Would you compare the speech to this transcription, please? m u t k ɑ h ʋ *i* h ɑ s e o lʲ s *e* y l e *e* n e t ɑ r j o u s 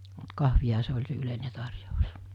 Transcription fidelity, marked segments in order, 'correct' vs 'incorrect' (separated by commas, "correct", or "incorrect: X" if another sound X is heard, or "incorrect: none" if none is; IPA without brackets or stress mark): correct, correct, incorrect: i